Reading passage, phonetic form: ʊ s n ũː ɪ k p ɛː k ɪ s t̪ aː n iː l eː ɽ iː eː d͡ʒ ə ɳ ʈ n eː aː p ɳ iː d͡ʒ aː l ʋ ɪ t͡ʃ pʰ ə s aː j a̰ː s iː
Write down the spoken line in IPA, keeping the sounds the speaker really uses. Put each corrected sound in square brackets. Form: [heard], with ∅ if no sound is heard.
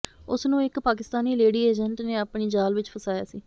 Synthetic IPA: ʊ s n ũː ɪ k p [aː] k ɪ s t̪ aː n iː l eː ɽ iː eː d͡ʒ ə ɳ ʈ n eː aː p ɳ iː d͡ʒ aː l ʋ ɪ t͡ʃ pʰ ə s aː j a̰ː s iː